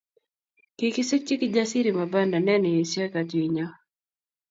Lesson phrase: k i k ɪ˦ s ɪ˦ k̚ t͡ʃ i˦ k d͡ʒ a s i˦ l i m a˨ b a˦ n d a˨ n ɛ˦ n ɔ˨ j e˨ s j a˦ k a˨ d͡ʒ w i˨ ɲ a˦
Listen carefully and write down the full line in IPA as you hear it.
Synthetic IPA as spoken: k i k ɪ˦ s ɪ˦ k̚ t͡ʃ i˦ k d͡ʒ a s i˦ ɾ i m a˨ b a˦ n d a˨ n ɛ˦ n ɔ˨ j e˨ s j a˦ k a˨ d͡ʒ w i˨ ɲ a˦